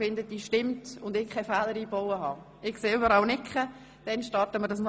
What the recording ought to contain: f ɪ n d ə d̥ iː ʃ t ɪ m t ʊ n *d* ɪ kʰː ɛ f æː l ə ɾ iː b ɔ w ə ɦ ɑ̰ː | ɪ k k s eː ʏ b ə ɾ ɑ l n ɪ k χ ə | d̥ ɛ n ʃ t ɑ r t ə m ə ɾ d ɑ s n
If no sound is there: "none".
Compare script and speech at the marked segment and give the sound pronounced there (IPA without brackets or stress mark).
d